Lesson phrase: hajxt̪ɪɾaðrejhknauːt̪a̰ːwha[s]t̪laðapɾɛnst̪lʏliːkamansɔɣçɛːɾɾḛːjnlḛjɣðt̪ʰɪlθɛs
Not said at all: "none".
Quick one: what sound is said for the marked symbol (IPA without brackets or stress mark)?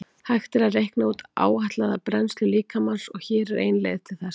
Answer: h